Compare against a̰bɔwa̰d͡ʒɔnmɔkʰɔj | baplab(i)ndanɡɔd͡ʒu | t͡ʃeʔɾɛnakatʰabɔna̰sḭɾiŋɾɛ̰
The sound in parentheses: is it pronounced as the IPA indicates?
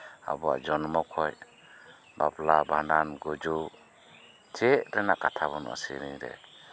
no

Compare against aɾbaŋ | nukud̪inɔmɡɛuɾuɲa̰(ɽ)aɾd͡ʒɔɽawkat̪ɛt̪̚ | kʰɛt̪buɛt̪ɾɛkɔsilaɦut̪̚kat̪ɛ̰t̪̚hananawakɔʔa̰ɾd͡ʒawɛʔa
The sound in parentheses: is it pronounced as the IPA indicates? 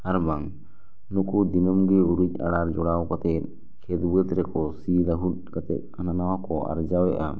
yes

